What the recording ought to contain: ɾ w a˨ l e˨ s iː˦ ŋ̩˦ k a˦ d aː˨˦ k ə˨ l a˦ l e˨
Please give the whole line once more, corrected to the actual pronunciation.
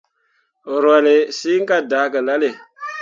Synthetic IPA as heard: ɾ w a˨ l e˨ s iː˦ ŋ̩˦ k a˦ d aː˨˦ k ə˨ l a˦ l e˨